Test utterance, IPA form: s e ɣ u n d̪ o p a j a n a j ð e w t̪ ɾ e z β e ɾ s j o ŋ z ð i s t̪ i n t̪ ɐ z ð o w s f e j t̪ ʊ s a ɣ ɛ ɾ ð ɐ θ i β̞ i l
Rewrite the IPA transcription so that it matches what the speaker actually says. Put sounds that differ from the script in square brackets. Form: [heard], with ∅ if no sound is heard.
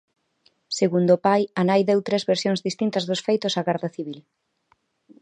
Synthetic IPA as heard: s e ɣ u n d̪ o p a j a n a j ð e w t̪ ɾ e z β e ɾ s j o ŋ z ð i s t̪ i n t̪ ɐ z ð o [∅] s f e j t̪ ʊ s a ɣ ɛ ɾ ð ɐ θ i β̞ i l